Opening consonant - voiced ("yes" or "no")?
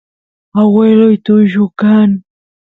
yes